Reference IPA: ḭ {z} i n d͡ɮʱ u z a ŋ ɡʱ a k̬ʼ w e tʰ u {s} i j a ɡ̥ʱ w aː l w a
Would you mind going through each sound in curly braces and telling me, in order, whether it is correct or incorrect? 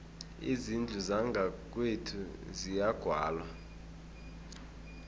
correct, incorrect: z

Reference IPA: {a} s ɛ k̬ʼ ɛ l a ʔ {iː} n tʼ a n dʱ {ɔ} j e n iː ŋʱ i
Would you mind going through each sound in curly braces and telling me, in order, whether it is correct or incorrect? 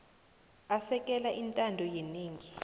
correct, incorrect: i, correct

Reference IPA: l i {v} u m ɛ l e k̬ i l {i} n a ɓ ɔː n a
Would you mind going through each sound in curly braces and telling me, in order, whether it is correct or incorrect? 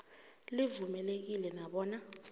correct, incorrect: ɛ

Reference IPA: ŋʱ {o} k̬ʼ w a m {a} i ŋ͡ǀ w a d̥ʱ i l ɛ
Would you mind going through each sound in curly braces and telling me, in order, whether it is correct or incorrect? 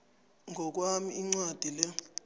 incorrect: ɔ, incorrect: i

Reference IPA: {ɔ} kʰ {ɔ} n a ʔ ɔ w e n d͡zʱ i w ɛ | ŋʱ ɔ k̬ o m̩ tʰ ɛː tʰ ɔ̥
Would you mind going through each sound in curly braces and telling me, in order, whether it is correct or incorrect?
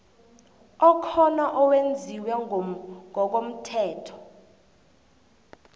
correct, correct

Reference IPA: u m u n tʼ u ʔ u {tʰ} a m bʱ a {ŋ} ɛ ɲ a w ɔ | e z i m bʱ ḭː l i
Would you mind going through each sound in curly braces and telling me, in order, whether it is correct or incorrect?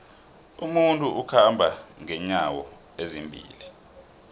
incorrect: kʰ, correct

